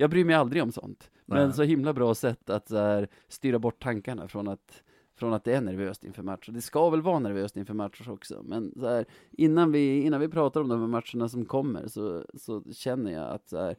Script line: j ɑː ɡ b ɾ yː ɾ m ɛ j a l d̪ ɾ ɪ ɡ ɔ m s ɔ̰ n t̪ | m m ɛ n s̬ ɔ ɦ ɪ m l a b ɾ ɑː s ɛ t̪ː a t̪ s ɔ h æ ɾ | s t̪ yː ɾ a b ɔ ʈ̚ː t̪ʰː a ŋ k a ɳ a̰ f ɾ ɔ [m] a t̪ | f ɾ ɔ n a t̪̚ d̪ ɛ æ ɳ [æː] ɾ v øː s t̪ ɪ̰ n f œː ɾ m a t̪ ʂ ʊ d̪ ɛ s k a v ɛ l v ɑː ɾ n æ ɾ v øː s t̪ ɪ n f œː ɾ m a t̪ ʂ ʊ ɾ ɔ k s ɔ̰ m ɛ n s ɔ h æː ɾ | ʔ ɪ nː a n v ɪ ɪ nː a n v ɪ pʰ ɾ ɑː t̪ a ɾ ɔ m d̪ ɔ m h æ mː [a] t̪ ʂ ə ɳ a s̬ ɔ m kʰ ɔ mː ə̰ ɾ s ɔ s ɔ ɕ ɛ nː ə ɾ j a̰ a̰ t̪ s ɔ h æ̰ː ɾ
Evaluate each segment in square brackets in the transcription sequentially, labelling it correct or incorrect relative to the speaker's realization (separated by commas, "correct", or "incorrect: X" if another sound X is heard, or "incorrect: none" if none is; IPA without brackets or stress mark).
incorrect: n, incorrect: æ, correct